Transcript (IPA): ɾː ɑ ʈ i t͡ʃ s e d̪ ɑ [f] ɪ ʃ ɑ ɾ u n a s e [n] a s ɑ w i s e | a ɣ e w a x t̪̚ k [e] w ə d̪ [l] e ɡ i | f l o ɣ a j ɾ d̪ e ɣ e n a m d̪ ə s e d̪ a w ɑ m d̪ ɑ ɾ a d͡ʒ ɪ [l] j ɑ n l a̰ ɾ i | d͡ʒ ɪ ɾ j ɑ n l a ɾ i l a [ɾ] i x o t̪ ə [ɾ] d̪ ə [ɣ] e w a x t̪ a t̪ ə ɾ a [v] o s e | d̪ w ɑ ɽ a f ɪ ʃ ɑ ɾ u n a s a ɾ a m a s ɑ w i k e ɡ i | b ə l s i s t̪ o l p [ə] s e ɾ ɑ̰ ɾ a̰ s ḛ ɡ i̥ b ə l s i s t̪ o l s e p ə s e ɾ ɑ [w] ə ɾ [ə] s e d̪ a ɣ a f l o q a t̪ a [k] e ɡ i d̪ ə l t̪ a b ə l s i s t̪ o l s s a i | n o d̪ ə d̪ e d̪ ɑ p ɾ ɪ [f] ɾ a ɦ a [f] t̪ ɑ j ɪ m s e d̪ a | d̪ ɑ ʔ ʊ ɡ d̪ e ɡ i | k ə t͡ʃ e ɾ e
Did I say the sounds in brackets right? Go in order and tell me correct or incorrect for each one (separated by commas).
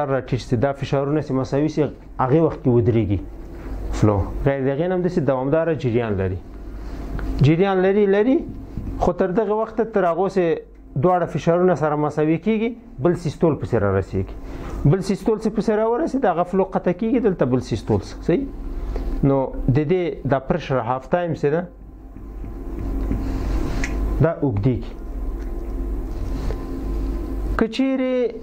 correct, incorrect, correct, incorrect, incorrect, correct, correct, correct, incorrect, correct, correct, incorrect, correct, incorrect, correct